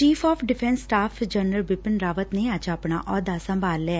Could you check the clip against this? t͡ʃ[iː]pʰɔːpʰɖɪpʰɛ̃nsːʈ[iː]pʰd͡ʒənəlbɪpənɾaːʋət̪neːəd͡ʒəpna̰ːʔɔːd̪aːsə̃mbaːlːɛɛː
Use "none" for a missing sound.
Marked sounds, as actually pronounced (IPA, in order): iː, aː

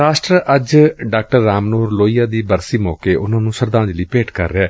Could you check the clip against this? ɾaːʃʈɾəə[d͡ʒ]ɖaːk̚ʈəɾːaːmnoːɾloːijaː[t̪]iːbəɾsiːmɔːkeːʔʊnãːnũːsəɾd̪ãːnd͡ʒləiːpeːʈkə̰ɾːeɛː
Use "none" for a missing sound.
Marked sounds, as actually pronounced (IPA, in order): d͡ʒ, d̪

